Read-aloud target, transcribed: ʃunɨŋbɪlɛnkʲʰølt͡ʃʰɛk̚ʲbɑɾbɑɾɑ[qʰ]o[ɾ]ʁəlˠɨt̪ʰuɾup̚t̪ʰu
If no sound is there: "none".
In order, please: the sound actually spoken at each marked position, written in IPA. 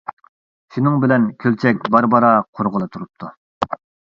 qʰ, ɾ

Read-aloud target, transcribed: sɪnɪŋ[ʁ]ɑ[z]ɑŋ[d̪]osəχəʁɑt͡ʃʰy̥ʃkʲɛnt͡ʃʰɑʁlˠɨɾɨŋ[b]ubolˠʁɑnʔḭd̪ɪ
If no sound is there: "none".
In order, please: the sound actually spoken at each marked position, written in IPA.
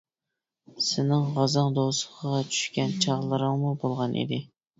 ʁ, z, d̪, m

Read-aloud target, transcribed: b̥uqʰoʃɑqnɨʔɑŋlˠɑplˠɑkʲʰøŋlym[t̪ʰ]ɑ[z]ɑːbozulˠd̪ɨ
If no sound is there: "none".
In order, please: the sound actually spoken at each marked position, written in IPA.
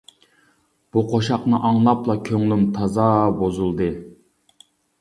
t̪ʰ, z

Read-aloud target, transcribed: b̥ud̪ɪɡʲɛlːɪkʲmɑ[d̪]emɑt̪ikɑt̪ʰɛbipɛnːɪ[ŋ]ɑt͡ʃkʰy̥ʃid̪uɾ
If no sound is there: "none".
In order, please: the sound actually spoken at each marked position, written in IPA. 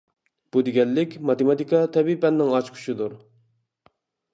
t̪, ŋ

